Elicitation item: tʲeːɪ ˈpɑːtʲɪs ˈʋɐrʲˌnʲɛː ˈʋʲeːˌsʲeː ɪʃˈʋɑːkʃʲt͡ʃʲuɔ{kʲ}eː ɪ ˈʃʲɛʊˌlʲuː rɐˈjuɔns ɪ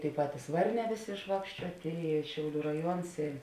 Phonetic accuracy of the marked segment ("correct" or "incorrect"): incorrect